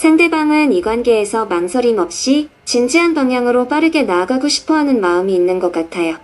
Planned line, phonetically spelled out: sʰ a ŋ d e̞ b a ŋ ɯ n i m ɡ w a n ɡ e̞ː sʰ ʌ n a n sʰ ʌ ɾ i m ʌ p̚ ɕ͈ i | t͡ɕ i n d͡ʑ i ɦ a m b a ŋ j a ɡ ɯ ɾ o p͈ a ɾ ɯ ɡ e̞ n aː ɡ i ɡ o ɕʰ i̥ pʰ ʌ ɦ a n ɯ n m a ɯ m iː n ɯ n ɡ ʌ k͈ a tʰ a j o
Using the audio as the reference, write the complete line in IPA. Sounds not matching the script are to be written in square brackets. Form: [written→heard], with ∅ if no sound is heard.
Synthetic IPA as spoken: sʰ a ŋ d e̞ b a ŋ ɯ n i [m→∅] ɡ w a n ɡ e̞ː sʰ ʌ [n→m] a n sʰ ʌ ɾ i m ʌ p̚ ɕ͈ i | t͡ɕ i n d͡ʑ i ɦ a [m→n] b a ŋ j a [ɡ→ŋ] ɯ ɾ o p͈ a ɾ ɯ ɡ e̞ n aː ɡ [i→a] ɡ o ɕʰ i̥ pʰ ʌ ɦ a n ɯ n m a ɯ m iː [n→nː] ɯ n ɡ ʌ k͈ a tʰ a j o